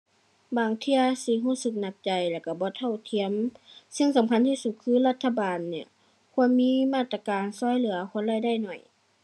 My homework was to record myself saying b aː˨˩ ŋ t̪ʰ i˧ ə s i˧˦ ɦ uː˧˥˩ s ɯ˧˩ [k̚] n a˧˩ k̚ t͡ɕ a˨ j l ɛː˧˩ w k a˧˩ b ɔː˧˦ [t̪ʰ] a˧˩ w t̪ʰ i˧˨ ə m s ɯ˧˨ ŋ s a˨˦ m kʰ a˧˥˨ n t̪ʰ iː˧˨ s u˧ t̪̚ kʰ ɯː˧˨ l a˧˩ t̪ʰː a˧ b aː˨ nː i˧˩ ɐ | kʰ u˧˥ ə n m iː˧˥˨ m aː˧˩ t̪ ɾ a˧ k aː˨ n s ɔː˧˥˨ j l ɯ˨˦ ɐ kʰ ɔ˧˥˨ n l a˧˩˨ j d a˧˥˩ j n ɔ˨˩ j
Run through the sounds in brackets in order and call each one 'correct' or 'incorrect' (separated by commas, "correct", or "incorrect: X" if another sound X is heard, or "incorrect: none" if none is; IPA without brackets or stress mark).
correct, correct